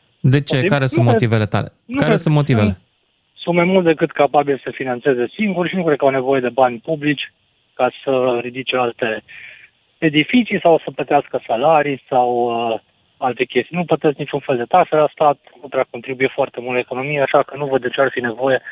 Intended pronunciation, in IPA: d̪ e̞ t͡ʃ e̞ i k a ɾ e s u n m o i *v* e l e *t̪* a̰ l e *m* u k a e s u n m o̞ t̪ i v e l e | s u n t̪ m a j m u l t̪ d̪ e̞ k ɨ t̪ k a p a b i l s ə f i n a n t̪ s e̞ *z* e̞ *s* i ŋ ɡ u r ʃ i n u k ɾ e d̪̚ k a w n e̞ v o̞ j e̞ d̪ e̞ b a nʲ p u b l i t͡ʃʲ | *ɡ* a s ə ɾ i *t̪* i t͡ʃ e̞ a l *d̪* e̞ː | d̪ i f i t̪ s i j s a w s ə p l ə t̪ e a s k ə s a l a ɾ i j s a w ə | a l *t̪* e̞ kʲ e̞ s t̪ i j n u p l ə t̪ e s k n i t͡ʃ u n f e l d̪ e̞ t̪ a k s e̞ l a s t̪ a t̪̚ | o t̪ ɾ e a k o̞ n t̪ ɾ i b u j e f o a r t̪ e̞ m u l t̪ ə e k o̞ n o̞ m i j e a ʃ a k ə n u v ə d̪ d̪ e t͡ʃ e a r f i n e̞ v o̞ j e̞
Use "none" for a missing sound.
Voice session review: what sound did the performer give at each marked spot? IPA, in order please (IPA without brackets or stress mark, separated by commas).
v, t̪, n, z, s, k, d̪, t̪, t̪